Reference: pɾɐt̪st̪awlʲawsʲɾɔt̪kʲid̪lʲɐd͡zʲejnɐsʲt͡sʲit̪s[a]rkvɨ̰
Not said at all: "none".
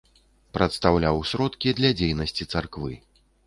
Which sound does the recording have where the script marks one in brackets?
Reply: a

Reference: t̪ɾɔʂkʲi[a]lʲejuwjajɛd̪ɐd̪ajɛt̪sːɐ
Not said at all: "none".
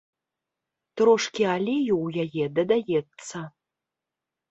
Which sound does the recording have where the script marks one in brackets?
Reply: a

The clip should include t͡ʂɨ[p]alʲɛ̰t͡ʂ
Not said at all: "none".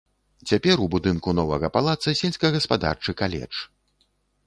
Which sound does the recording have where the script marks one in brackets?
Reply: k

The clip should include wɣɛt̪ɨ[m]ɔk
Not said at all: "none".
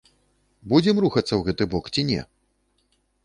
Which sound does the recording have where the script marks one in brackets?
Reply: b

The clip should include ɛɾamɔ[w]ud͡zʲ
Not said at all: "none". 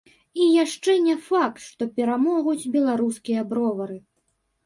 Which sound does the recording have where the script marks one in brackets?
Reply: ɣ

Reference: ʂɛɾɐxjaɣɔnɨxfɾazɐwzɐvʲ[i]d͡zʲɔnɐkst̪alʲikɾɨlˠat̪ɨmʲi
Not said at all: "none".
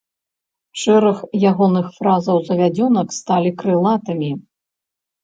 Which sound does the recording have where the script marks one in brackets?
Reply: a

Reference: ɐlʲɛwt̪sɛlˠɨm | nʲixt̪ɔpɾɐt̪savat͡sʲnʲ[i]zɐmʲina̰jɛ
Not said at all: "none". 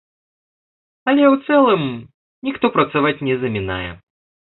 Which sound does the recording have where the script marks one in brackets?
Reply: ɛ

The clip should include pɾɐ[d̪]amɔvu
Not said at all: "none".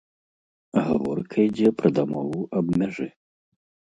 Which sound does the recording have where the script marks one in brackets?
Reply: d̪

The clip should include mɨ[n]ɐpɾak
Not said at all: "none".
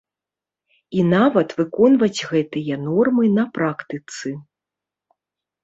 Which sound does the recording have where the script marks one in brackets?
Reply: n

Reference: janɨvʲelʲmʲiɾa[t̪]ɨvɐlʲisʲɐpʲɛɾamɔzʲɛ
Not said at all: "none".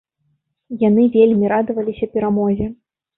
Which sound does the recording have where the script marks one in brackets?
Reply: d̪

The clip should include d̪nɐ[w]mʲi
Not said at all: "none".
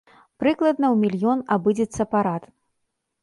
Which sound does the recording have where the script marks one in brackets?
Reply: w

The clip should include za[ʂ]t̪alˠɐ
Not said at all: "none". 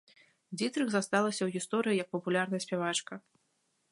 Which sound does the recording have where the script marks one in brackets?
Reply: s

